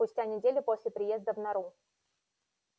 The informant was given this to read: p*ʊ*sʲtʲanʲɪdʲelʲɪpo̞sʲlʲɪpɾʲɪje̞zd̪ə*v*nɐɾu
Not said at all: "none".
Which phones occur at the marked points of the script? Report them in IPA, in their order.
ʊ, v

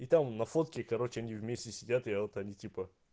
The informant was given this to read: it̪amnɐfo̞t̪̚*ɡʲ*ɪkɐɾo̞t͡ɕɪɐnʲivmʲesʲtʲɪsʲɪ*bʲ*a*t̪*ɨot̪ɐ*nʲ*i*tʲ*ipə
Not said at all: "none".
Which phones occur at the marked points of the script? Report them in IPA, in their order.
kʲ, dʲ, t̪, nʲ, tʲ

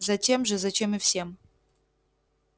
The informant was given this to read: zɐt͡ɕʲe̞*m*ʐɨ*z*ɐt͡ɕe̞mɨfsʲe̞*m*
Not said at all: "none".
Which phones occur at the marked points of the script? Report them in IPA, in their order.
m, z, m

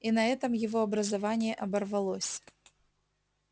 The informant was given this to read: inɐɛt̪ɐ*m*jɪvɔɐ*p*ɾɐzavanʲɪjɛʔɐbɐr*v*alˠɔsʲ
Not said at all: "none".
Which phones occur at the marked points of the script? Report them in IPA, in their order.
m, b, v

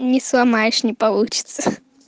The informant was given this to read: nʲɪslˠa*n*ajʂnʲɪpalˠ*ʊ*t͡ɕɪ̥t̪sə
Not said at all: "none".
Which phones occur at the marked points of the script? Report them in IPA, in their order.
m, u

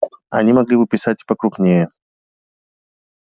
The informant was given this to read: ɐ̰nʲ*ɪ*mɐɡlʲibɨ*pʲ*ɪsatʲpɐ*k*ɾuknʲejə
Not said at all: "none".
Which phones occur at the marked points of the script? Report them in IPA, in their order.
i, pʲ, k

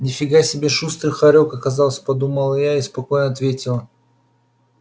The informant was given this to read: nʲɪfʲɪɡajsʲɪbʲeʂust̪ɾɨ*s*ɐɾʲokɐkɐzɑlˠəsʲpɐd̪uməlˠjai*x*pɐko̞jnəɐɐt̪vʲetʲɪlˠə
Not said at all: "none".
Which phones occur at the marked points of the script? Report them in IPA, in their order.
x, s

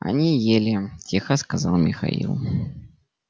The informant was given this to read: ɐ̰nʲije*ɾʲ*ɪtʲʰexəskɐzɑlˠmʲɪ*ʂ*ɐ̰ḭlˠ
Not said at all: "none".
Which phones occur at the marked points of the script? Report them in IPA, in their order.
lʲ, x

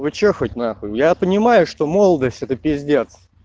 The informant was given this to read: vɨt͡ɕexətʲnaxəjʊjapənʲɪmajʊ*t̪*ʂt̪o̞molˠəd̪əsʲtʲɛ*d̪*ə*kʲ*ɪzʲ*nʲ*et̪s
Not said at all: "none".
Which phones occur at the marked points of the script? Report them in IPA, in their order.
none, t̪, pʲ, dʲ

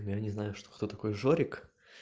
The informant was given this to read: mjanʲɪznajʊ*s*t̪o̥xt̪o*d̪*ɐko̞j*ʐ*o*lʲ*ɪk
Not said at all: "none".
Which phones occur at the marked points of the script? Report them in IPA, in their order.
ʂ, t̪, ʐ, ɾʲ

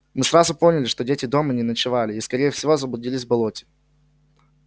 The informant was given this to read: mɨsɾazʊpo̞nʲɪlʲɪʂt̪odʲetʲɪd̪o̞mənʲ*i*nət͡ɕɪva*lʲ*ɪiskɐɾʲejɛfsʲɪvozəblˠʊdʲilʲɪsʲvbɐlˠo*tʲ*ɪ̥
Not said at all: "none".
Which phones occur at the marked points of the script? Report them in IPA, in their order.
ɪ, lʲ, tʲ

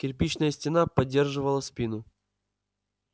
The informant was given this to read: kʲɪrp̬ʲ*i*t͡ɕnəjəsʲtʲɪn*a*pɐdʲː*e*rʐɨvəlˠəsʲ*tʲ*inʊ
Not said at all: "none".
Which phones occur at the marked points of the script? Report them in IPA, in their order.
i, a, e, pʲ

